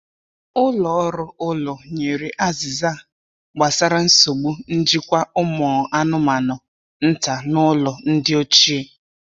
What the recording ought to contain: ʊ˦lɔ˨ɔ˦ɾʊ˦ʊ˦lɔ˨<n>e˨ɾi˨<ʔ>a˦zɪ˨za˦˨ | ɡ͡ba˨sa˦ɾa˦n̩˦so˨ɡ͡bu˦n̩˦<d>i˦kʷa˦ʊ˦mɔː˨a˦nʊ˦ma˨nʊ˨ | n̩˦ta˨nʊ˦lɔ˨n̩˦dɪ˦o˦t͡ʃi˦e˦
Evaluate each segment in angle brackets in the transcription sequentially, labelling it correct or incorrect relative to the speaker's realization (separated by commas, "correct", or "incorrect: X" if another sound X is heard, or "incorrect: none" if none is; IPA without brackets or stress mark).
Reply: incorrect: ɲ, correct, incorrect: d͡ʒ